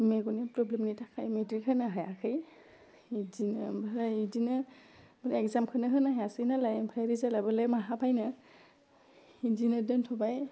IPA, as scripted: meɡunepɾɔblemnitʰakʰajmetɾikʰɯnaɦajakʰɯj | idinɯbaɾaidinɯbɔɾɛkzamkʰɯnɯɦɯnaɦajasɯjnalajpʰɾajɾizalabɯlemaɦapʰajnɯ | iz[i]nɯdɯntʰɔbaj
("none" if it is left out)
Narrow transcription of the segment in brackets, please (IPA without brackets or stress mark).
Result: i